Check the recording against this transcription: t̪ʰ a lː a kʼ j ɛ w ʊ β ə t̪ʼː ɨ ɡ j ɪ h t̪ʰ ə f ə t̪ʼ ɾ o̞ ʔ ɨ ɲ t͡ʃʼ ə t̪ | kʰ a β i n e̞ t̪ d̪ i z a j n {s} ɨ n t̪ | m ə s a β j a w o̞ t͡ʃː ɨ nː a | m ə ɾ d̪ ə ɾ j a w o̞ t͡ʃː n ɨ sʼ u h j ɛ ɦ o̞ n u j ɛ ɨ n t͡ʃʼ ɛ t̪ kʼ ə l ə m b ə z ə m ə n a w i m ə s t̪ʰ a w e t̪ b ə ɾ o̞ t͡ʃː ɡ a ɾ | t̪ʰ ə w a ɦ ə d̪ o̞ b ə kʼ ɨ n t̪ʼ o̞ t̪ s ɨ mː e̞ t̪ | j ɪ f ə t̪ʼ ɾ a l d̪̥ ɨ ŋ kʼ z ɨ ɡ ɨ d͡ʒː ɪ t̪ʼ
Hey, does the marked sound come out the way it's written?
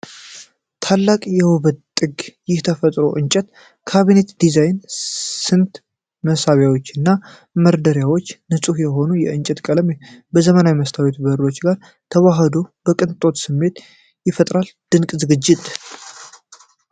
yes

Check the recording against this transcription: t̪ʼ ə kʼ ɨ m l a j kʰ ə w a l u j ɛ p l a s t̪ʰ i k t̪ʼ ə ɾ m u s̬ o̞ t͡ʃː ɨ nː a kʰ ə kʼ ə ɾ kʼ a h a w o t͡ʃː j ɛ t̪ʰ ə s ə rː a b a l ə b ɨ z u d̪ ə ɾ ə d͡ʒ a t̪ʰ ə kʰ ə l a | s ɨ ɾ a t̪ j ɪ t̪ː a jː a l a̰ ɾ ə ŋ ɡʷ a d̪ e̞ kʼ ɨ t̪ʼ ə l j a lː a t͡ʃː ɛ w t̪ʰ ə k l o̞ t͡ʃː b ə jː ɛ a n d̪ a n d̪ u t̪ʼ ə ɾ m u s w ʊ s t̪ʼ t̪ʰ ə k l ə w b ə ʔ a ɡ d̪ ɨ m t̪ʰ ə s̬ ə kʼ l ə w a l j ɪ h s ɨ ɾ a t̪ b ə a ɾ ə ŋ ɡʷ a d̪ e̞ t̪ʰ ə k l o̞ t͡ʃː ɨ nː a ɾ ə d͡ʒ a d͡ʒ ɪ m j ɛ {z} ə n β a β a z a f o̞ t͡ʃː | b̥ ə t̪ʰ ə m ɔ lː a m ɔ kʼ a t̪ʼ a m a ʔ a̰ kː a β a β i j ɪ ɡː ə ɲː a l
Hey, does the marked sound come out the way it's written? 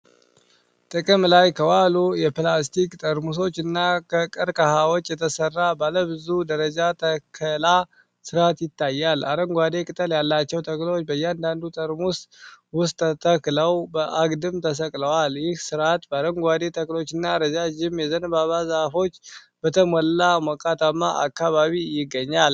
yes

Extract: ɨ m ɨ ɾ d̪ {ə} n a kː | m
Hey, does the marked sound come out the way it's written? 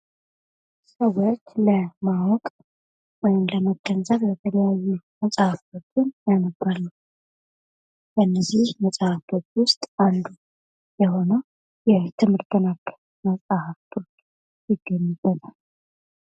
yes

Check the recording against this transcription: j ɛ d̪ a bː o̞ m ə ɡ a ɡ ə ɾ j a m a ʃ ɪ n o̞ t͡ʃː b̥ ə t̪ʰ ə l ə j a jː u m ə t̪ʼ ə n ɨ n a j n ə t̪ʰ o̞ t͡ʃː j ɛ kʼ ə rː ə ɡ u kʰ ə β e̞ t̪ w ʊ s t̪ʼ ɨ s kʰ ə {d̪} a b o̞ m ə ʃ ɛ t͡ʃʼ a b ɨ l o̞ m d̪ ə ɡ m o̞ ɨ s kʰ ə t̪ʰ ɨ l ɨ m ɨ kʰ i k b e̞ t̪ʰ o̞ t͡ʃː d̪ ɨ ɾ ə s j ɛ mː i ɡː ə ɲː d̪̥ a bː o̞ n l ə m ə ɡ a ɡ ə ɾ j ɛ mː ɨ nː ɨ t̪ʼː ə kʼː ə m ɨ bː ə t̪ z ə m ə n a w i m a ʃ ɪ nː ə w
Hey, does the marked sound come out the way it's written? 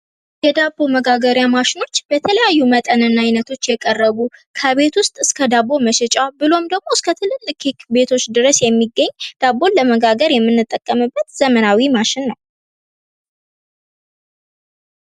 yes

